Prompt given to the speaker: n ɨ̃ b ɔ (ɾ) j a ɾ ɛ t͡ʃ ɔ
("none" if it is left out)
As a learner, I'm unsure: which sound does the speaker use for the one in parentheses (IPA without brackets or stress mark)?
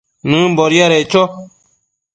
ɾ